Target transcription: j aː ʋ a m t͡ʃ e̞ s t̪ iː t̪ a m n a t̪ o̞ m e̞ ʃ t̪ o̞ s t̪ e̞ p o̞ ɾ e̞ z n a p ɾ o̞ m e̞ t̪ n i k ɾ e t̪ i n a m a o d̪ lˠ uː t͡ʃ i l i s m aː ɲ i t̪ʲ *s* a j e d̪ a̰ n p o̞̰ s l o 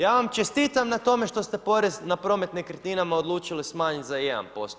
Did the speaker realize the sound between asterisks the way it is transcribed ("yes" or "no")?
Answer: no